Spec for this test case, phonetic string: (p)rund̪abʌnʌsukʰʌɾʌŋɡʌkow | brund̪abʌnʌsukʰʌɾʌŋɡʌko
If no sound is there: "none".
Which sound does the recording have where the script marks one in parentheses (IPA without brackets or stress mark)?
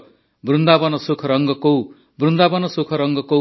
b